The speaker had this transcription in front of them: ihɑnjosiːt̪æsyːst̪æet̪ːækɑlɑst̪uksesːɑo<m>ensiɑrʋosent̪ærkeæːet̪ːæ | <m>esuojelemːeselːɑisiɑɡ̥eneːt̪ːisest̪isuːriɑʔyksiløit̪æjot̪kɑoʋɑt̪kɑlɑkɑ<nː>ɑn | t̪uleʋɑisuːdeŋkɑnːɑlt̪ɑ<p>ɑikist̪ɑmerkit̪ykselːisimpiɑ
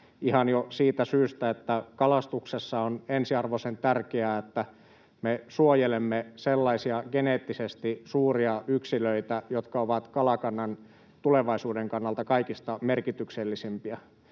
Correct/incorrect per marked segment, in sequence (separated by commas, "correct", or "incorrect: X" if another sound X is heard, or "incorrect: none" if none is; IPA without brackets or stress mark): incorrect: n, correct, correct, incorrect: k